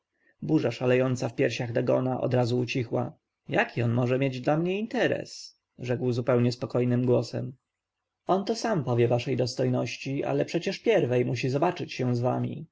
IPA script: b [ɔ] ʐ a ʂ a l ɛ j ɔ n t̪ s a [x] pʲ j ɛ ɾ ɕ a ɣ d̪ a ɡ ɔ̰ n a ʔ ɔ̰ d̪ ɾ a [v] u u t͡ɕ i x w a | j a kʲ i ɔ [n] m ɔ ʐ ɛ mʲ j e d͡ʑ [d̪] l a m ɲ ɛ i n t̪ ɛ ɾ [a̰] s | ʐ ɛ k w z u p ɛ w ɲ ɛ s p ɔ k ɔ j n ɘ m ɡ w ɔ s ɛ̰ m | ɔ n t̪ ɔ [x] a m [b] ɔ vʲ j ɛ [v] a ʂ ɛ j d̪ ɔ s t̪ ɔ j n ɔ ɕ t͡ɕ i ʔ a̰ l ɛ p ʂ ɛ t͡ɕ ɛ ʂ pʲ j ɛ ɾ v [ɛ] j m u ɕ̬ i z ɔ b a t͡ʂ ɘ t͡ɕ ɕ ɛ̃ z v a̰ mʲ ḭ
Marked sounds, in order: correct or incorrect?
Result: incorrect, incorrect, incorrect, correct, correct, incorrect, incorrect, incorrect, correct, correct

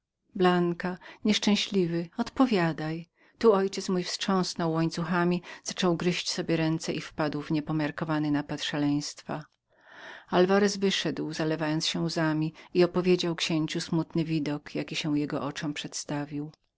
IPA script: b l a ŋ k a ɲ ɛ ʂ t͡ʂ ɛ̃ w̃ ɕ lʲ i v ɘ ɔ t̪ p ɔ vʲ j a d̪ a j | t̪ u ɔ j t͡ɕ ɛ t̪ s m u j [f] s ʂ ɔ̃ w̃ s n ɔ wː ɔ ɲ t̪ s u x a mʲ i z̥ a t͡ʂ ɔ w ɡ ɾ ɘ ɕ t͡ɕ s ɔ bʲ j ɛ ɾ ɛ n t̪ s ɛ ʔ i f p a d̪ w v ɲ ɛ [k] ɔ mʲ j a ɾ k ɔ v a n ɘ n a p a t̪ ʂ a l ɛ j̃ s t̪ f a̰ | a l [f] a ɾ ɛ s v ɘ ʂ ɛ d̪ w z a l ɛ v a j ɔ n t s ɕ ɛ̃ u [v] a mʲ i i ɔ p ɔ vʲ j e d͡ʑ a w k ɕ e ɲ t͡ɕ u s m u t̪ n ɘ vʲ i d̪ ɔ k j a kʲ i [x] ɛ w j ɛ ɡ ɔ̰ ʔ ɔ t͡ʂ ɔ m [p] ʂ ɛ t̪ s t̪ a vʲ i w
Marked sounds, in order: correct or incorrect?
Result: correct, incorrect, incorrect, incorrect, incorrect, correct

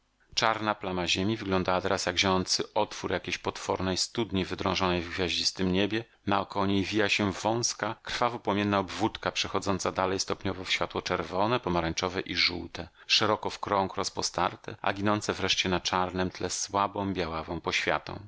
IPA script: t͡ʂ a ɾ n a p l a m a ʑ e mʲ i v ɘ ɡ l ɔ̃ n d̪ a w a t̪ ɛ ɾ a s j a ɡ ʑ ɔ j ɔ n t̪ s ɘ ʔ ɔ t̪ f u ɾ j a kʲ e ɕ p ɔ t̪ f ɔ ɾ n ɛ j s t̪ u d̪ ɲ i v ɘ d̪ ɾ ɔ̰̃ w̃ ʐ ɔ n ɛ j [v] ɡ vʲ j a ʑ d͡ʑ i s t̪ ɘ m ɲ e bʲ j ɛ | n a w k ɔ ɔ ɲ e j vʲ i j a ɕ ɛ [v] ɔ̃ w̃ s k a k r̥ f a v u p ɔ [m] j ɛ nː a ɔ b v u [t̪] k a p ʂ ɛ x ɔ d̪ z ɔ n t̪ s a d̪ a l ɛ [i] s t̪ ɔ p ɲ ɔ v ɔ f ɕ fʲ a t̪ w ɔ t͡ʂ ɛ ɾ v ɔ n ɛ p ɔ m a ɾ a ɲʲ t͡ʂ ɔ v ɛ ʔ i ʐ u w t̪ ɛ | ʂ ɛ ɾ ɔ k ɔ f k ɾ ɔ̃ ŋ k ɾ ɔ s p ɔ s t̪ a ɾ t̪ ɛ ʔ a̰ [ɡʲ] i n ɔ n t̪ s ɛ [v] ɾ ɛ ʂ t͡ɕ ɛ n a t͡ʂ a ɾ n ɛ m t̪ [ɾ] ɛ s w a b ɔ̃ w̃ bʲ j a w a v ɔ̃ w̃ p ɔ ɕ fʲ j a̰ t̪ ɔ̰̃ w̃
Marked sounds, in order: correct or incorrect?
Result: correct, correct, correct, correct, incorrect, correct, correct, incorrect

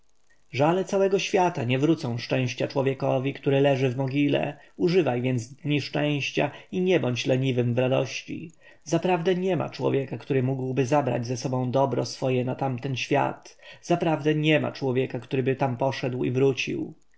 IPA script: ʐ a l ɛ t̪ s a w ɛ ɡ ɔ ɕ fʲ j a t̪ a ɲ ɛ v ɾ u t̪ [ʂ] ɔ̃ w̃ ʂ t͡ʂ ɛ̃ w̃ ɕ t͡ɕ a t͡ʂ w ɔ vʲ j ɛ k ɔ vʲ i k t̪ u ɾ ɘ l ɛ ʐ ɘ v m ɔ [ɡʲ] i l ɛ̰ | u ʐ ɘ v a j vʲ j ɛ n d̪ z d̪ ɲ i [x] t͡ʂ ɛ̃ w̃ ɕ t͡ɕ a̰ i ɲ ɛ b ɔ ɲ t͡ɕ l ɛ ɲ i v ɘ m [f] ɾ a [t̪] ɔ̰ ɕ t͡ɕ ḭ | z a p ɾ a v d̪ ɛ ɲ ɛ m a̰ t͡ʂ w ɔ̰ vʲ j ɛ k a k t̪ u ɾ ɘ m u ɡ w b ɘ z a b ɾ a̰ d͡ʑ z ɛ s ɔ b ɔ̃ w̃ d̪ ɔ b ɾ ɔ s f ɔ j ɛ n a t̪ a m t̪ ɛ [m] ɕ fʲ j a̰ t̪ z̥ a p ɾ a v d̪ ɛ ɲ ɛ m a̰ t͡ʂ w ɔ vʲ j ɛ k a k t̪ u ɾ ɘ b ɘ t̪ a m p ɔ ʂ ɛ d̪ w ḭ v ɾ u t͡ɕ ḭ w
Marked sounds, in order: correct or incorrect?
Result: incorrect, correct, incorrect, incorrect, incorrect, incorrect

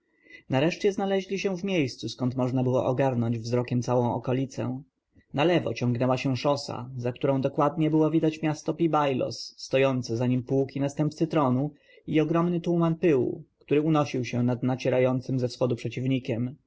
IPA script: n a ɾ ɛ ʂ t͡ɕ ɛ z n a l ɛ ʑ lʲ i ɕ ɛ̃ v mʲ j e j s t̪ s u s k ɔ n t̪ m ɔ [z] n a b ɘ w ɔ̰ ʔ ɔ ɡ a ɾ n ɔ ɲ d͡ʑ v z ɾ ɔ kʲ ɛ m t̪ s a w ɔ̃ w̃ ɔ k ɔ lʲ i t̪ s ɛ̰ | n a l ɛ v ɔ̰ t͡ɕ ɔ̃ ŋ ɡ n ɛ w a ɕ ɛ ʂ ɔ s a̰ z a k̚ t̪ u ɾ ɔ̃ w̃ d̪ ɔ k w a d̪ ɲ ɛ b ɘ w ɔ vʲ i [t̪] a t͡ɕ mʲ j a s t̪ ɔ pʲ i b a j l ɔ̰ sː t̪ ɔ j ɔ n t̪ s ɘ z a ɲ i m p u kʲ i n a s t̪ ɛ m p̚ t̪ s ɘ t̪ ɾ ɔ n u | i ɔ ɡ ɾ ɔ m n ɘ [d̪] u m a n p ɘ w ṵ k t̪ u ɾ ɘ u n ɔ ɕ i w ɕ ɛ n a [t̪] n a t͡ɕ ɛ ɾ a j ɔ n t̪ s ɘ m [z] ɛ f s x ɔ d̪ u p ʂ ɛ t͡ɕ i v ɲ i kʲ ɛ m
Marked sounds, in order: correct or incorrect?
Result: incorrect, incorrect, incorrect, incorrect, correct

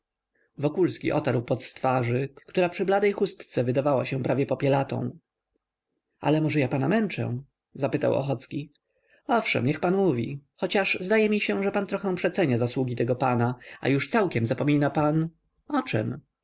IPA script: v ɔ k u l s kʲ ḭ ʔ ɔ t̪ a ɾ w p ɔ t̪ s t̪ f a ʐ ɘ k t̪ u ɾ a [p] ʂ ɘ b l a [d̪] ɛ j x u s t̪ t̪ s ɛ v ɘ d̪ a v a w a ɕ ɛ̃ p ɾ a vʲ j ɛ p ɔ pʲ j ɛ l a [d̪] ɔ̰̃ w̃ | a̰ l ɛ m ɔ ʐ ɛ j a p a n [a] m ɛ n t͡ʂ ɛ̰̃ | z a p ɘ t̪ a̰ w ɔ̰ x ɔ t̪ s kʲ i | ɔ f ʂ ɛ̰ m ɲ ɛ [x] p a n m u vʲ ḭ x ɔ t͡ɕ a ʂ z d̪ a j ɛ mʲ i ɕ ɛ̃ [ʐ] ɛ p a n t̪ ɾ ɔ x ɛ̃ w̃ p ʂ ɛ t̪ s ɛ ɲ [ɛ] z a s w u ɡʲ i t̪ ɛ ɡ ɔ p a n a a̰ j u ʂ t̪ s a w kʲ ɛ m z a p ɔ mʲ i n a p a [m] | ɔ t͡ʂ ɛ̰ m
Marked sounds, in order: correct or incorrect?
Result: correct, correct, incorrect, correct, correct, correct, incorrect, incorrect

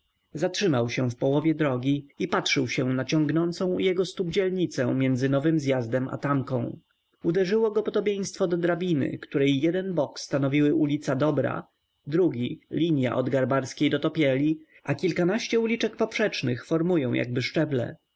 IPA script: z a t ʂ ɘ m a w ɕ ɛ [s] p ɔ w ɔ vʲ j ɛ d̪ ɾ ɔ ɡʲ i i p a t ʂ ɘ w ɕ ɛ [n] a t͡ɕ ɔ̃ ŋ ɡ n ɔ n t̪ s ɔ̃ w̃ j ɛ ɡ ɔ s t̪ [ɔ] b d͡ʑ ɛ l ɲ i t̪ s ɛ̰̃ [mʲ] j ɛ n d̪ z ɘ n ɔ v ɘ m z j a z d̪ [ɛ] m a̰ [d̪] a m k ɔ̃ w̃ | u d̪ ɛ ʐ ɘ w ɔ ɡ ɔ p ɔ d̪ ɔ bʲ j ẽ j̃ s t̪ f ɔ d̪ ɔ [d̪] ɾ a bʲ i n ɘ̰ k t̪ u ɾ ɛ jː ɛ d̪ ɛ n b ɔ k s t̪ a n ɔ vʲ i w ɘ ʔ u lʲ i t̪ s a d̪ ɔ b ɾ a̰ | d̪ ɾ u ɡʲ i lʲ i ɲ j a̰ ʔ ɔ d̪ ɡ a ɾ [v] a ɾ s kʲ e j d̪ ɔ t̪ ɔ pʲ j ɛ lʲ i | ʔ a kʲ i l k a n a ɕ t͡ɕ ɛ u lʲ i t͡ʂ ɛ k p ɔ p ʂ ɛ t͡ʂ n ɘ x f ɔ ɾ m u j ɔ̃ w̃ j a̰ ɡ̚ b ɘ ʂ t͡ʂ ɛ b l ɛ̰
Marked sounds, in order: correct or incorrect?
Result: incorrect, correct, incorrect, correct, correct, incorrect, correct, incorrect

